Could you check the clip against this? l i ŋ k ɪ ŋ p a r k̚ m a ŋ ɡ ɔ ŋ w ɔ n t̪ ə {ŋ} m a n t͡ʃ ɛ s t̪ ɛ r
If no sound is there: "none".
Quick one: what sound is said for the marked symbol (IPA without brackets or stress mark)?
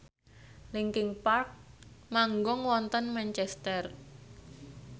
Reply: n